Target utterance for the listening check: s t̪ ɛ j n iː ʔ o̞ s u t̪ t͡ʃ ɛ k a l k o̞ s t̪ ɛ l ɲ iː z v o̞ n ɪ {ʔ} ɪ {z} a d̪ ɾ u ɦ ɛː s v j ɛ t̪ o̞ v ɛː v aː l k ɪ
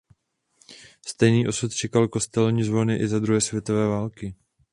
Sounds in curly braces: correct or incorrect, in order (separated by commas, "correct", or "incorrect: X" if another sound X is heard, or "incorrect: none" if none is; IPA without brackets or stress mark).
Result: correct, correct